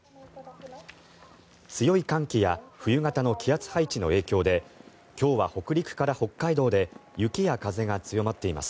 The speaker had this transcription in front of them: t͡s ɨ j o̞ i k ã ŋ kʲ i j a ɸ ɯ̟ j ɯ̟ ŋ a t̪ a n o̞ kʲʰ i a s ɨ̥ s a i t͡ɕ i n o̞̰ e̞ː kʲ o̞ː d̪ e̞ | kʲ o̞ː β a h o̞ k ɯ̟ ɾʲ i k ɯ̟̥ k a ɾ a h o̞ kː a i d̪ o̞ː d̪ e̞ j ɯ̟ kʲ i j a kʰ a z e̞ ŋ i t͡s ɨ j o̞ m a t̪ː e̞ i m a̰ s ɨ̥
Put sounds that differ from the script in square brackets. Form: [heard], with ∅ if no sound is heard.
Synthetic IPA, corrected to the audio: t͡s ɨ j o̞ i k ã ŋ kʲ i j a ɸ ɯ̟ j ɯ̟ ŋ a t̪ a n o̞ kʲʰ i a [t͡s] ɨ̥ [h] a i t͡ɕ i n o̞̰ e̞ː kʲ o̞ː d̪ e̞ | kʲ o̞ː β a h o̞ k ɯ̟ ɾʲ i k ɯ̟̥ k a ɾ a h o̞ kː a i d̪ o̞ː d̪ e̞ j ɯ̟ kʲ i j a [k] a z e̞ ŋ [a] t͡s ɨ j o̞ m a t̪ː e̞ i m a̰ s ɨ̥